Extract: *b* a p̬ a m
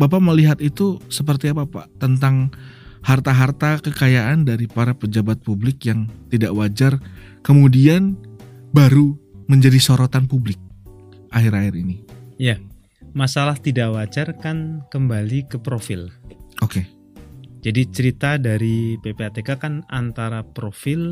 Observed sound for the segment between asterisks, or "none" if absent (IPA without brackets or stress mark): b